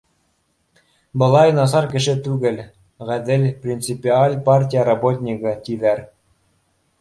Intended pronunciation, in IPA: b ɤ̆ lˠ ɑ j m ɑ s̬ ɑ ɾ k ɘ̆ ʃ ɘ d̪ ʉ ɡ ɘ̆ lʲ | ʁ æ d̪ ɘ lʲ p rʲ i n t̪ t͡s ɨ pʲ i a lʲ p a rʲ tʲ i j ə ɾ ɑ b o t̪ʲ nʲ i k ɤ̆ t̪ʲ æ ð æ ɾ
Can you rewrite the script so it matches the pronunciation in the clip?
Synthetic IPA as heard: b ɤ̆ lˠ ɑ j n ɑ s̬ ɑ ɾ k ɘ̆ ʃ ɘ t̪ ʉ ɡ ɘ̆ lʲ | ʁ æ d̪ ɘ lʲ p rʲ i n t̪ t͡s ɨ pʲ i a lʲ p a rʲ tʲ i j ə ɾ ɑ b o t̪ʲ nʲ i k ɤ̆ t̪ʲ i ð æ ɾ